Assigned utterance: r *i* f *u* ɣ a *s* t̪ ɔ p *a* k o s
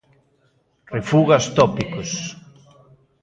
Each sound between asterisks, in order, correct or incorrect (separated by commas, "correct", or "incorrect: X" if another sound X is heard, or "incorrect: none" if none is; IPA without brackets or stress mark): incorrect: e, correct, correct, incorrect: i